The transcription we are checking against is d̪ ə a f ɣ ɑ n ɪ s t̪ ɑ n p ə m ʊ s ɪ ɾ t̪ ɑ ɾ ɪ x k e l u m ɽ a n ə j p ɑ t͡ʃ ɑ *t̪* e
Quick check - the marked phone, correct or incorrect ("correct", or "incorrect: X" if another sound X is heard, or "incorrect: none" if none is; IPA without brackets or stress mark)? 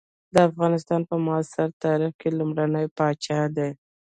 incorrect: d̪